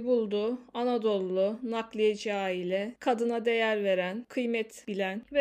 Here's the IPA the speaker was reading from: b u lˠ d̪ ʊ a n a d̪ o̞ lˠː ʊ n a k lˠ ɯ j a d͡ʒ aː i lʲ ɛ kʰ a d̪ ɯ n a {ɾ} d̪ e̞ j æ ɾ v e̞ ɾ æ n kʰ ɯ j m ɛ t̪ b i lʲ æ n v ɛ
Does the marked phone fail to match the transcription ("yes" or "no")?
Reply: yes